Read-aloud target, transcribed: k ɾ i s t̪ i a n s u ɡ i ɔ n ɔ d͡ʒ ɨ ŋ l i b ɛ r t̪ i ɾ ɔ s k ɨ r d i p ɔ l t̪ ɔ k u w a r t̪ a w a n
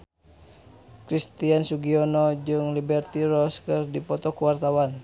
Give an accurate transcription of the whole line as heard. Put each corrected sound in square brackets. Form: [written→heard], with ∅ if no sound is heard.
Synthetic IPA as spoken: k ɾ i s t̪ i a n s u ɡ i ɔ n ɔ d͡ʒ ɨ ŋ l i b ɛ r t̪ i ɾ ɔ s k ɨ r d i p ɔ [l→∅] t̪ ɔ k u w a r t̪ a w a n